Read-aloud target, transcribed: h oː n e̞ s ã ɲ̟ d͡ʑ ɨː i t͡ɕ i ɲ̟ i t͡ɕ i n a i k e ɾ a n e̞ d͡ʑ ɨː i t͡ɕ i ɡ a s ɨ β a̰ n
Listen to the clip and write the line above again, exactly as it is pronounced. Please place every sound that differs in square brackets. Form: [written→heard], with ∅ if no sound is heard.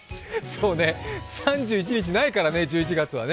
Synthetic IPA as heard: [h→s] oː n e̞ s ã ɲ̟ d͡ʑ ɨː i t͡ɕ i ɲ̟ i t͡ɕ i n a i k [e→a] ɾ a n e̞ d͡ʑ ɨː i t͡ɕ i ɡ a [s→t͡s] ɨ β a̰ n